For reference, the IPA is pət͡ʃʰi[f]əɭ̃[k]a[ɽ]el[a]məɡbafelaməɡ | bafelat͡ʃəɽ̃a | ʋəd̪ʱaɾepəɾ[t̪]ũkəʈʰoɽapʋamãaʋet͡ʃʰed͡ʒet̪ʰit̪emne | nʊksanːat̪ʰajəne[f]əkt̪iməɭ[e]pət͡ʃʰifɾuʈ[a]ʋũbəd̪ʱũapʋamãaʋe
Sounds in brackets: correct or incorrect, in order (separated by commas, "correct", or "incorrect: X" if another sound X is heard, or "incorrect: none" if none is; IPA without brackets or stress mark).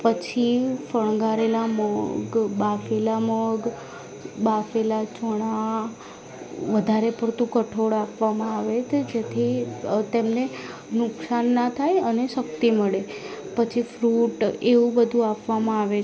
correct, incorrect: ɡ, incorrect: ɾ, correct, correct, incorrect: ʃ, correct, incorrect: e